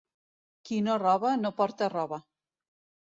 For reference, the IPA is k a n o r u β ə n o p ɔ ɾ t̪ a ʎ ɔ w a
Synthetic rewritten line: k i n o r ɔ β a n o p ɔ ɾ t̪ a r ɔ β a